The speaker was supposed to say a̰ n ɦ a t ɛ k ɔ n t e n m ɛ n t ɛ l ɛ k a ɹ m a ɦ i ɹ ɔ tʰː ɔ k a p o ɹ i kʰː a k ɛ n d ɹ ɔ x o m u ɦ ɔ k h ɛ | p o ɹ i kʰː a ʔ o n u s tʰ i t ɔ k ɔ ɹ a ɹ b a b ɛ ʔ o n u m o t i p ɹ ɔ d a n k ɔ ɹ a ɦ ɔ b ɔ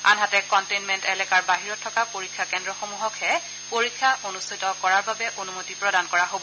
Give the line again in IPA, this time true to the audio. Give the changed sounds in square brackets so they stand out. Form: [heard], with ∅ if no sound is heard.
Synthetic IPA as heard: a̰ n ɦ a t ɛ k ɔ n t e n m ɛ n t ɛ l ɛ k a ɹ [b] a ɦ i ɹ ɔ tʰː ɔ k a p o ɹ i kʰː a k ɛ n d ɹ ɔ x o m u ɦ ɔ k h ɛ | p o ɹ i kʰː a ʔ o n u s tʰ i t ɔ k ɔ ɹ a ɹ b a b ɛ ʔ o n u m o t i p ɹ ɔ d a n k ɔ ɹ a ɦ [o] b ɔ